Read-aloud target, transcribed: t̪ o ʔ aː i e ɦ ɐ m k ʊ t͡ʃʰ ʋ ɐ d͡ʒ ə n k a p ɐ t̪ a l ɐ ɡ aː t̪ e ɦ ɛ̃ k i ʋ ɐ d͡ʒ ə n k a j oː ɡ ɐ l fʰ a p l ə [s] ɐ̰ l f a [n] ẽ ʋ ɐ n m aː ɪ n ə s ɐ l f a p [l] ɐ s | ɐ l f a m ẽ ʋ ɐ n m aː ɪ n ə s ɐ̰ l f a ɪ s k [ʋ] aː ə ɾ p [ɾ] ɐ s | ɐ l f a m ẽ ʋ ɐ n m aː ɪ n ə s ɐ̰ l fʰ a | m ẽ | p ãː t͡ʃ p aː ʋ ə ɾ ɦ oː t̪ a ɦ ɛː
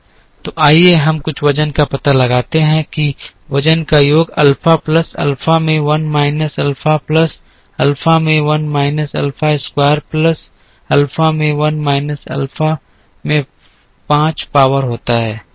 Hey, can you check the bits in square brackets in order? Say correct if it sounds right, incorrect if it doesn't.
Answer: correct, incorrect: m, correct, incorrect: w, incorrect: l

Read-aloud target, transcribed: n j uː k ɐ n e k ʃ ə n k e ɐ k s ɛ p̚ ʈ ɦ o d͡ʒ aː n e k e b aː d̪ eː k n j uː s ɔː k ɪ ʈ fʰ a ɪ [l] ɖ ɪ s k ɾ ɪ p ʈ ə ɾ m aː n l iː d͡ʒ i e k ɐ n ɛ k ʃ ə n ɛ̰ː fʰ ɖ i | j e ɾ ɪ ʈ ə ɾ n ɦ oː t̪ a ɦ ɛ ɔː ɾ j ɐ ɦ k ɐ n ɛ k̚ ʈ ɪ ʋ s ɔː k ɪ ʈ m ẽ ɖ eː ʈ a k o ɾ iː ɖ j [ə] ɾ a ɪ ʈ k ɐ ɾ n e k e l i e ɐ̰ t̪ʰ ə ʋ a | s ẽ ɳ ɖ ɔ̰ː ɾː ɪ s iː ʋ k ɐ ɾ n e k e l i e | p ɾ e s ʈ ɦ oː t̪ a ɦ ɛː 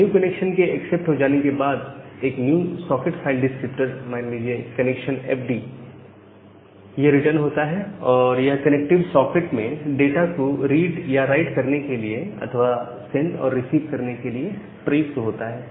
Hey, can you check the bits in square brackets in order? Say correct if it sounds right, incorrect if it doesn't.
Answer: correct, incorrect: a

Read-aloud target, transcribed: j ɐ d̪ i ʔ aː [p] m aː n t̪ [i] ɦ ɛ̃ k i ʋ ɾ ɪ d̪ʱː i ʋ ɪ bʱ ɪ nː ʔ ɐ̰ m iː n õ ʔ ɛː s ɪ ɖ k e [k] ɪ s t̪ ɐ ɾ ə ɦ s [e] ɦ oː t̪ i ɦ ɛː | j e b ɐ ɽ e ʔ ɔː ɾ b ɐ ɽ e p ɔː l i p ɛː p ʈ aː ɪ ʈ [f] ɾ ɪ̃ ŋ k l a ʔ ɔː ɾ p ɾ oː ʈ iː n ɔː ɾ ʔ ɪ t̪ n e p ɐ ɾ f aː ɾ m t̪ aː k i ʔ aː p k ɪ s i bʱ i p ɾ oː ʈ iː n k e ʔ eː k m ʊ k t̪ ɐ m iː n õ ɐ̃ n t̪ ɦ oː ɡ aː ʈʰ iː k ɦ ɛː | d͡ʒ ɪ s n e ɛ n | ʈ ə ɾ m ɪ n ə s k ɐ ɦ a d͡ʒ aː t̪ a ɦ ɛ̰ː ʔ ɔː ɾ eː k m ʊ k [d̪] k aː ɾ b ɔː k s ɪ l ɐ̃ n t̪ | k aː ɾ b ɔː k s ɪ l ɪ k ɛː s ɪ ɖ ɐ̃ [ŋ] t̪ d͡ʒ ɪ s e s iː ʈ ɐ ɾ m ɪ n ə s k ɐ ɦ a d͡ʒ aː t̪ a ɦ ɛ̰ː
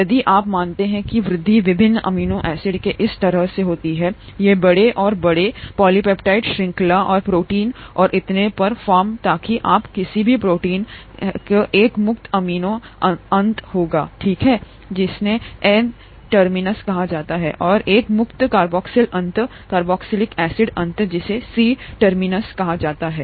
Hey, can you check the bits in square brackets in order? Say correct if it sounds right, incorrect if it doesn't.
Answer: correct, incorrect: e, incorrect: ʔ, correct, incorrect: ʃ, incorrect: t̪, incorrect: n

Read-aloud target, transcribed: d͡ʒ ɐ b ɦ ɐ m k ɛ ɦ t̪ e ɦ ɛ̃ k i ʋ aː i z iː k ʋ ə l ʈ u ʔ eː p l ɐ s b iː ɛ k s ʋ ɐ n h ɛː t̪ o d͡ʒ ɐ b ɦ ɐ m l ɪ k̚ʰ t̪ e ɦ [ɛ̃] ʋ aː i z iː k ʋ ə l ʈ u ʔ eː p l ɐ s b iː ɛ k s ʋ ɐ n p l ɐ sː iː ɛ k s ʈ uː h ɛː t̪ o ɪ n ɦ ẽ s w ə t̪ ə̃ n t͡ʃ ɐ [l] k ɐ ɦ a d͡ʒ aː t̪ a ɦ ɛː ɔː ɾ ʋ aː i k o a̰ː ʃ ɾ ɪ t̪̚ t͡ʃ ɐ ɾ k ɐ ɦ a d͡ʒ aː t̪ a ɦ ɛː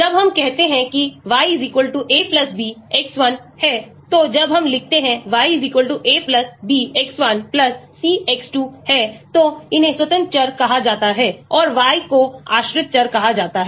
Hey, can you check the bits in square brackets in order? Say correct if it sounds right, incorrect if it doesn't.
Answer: correct, incorrect: ɾ

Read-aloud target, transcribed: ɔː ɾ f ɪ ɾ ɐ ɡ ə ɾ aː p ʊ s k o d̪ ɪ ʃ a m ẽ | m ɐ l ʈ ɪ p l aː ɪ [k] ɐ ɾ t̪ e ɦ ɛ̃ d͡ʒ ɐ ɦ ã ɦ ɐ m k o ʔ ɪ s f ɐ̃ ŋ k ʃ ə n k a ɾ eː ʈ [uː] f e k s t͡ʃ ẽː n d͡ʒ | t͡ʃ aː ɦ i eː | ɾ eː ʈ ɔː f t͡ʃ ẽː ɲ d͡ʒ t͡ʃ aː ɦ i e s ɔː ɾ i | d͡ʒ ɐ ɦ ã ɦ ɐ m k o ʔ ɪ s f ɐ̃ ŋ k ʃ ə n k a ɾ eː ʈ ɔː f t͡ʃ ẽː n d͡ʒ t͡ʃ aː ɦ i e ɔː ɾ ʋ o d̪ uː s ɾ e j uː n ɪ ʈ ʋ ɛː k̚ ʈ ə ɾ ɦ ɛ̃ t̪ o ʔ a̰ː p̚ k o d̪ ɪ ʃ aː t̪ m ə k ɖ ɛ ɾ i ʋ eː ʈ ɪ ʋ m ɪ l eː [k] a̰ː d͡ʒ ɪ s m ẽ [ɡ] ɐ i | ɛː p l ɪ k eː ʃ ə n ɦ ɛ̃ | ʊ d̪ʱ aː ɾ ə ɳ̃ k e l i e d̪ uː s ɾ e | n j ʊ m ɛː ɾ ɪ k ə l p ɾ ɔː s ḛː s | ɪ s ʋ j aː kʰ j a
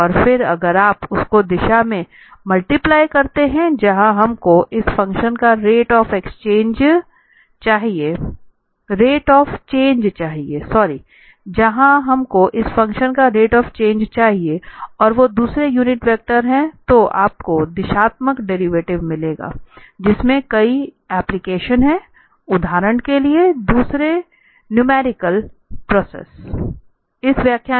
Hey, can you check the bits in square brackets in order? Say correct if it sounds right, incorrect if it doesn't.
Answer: correct, incorrect: ɔː, incorrect: ɡ, incorrect: k

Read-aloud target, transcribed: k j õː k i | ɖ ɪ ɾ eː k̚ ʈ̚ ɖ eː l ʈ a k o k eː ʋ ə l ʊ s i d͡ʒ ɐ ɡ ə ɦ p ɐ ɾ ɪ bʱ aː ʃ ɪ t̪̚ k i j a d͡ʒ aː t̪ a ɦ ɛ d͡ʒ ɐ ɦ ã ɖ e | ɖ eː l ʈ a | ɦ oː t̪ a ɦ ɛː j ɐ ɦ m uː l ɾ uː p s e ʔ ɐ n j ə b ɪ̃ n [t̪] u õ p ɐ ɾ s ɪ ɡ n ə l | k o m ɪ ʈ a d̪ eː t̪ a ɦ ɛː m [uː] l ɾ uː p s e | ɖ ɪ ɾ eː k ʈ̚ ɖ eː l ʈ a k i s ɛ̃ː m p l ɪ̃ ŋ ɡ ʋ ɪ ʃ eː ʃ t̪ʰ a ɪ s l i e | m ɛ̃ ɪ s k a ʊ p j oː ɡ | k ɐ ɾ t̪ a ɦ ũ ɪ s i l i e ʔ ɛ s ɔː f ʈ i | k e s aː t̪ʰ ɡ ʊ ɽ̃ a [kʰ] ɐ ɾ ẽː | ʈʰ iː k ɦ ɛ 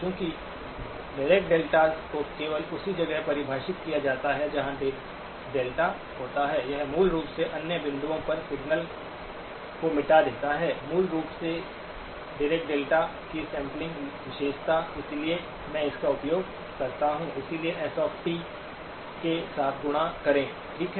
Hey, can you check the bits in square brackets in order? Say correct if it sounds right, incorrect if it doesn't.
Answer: incorrect: d̪, correct, incorrect: k

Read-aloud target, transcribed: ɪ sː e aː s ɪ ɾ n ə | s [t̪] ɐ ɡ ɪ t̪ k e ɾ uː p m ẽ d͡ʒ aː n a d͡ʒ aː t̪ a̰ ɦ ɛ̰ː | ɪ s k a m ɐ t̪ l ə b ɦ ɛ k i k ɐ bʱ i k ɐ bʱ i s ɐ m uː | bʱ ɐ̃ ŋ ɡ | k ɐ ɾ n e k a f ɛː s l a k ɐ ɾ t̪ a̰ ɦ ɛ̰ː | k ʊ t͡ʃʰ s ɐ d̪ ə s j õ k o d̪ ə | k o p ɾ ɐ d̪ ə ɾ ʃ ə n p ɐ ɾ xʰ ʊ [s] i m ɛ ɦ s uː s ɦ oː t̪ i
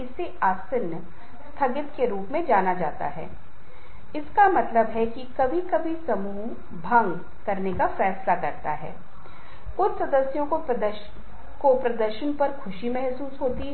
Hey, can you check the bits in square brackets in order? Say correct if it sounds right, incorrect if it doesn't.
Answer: incorrect: t̪ʰ, incorrect: ʃ

